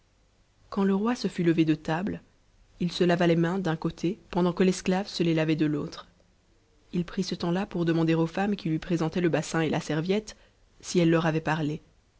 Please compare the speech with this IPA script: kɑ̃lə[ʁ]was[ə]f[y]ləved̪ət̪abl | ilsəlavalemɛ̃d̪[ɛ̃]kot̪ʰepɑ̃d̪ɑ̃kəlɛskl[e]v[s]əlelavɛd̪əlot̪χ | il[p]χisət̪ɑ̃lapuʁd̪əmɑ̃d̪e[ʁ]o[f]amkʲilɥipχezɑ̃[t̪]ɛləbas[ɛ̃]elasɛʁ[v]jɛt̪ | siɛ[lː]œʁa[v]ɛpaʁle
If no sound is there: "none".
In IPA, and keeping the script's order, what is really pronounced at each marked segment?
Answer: ʁ, ə, y, ɛ̃, a, s, p, ʁ, f, t̪, ɛ̃, v, lː, v

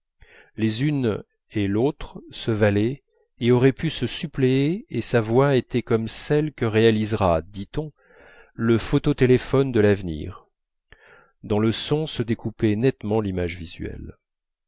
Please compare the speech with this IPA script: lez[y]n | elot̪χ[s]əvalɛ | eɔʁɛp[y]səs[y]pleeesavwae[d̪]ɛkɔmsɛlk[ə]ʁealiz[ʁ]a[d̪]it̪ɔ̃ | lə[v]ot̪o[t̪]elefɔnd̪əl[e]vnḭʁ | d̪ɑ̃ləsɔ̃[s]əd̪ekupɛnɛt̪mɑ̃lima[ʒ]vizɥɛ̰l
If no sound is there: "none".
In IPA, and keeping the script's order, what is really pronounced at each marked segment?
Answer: y, s, y, y, t̪, ə, ʁ, d̪, f, t̪, a, s, ʒ

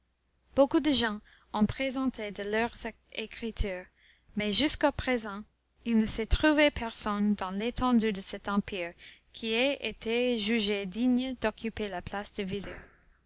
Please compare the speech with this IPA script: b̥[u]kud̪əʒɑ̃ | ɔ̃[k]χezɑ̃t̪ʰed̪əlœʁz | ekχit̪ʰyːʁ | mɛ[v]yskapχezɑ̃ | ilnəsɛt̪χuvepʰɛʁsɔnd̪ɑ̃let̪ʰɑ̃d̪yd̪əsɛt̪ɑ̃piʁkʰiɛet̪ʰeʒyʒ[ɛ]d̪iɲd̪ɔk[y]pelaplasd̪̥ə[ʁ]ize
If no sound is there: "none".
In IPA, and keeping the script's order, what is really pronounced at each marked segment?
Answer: o, p, ʒ, e, y, v

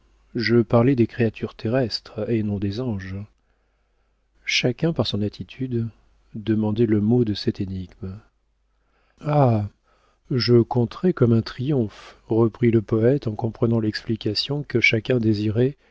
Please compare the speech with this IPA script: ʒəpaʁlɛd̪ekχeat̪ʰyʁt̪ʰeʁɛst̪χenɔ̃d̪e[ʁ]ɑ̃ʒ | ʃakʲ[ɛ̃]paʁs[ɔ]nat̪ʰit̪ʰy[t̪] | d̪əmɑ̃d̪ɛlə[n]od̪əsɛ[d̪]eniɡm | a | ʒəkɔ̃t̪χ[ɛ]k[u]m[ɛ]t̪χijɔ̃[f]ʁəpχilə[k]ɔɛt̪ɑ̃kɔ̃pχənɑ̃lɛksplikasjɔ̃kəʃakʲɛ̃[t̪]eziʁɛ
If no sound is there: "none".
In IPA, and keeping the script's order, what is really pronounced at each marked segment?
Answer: z, ɛ̃, ɔ̃, d̪, m, t̪, ɛ, ɔ, ɛ̃, f, p, d̪

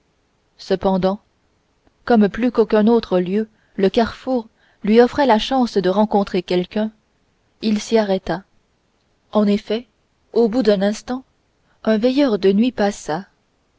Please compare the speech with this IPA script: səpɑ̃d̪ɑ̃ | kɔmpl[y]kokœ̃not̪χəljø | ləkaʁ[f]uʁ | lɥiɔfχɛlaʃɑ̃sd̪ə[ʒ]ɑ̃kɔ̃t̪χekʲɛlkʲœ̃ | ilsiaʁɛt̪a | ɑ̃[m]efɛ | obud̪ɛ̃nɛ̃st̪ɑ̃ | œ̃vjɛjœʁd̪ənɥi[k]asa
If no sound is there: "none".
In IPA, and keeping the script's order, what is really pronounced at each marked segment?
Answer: y, f, ʁ, n, p

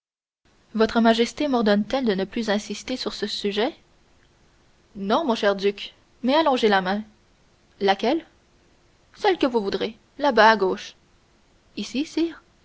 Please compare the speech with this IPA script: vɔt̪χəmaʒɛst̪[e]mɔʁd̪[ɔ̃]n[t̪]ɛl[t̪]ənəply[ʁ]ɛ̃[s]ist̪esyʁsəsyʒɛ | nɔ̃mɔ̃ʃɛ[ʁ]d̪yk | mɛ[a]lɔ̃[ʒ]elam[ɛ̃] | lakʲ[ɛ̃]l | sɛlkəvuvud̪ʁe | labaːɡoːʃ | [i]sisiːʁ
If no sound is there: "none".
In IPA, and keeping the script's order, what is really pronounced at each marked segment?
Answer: e, ɔ, t̪, d̪, z, s, ʁ, a, ʒ, ɛ̃, ɛ, i

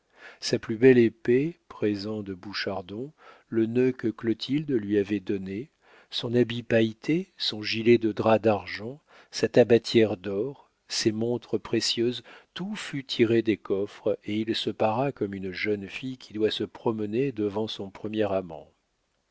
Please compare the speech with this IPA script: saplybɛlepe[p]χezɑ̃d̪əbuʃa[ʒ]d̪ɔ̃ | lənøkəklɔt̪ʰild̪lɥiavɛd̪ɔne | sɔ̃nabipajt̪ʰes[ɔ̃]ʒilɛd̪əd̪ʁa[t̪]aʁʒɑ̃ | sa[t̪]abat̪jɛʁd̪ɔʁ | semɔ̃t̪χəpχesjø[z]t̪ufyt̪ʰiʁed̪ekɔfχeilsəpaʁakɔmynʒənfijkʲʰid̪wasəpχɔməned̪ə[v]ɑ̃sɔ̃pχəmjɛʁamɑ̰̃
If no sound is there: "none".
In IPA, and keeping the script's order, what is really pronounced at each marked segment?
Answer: p, ʁ, ɔ̃, d̪, t̪, z, v

